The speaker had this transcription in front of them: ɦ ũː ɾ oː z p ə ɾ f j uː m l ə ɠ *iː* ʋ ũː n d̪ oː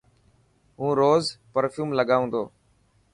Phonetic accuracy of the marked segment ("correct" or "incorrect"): incorrect